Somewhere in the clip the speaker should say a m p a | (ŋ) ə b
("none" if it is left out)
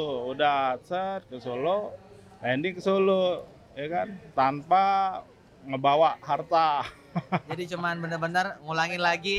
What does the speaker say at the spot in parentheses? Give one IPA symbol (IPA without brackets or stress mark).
ŋ